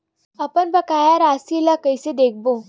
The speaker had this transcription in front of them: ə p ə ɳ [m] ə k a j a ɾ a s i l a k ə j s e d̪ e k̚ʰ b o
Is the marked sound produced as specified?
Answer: no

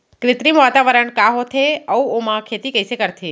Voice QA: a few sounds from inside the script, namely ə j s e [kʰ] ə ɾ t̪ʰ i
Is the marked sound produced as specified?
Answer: no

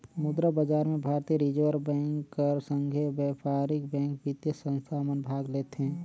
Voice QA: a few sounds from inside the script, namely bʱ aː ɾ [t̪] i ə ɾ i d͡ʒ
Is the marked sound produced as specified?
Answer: yes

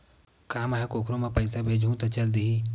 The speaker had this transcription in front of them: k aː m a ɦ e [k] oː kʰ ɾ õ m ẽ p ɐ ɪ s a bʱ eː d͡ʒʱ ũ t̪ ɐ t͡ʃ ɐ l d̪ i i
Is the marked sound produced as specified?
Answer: yes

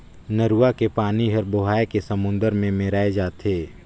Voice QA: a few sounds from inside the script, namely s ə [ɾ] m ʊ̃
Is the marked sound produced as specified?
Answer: no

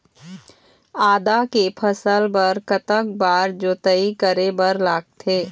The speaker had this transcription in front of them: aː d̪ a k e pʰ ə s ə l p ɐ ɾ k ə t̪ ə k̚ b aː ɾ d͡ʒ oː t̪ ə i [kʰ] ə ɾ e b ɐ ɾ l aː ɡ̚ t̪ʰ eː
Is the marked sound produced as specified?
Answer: no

